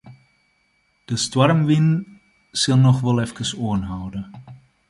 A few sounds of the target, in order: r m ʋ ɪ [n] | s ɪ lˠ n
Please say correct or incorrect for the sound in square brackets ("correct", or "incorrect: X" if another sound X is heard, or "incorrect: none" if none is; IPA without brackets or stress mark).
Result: correct